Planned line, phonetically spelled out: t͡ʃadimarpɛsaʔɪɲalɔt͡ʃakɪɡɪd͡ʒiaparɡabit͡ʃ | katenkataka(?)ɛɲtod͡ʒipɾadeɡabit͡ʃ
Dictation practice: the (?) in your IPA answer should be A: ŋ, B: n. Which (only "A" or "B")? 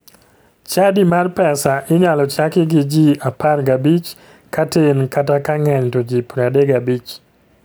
A